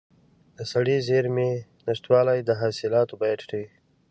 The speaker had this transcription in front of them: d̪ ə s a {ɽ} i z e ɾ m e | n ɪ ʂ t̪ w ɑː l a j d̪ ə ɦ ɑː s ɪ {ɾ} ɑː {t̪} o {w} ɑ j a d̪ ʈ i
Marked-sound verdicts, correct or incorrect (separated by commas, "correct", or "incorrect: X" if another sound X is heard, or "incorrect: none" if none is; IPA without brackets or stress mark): correct, incorrect: l, correct, incorrect: b